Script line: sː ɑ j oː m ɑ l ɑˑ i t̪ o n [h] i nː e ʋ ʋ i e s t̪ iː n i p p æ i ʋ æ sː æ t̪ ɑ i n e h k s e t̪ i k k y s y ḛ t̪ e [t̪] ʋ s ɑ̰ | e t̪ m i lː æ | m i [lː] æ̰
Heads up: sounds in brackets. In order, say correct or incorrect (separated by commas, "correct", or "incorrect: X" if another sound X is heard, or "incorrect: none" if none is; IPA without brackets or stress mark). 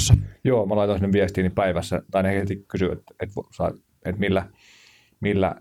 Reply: incorrect: s, correct, correct